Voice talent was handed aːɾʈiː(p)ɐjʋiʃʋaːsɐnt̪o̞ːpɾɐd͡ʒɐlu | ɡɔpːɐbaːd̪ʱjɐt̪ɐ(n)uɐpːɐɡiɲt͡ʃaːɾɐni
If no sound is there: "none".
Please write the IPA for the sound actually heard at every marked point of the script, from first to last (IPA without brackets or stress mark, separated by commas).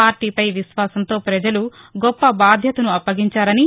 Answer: p, n